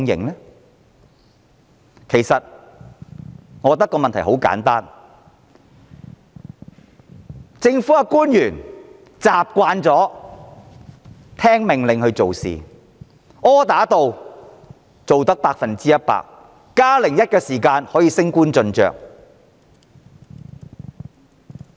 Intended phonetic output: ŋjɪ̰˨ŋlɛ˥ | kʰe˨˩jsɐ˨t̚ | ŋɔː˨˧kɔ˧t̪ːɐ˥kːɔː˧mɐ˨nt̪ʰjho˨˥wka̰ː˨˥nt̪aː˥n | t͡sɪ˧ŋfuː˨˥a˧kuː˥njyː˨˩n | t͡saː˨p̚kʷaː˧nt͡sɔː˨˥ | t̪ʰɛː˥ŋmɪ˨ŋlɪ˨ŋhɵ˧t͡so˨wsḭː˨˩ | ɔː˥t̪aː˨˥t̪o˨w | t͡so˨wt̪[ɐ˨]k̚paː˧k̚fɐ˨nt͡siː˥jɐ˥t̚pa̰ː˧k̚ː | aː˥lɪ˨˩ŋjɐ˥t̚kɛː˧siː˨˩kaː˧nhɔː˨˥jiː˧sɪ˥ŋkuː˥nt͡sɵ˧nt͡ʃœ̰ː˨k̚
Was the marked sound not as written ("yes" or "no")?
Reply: yes